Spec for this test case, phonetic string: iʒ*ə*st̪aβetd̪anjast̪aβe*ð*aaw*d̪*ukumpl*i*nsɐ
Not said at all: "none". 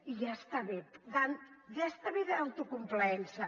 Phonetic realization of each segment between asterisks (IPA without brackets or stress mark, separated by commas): a, ð, t̪, ɛ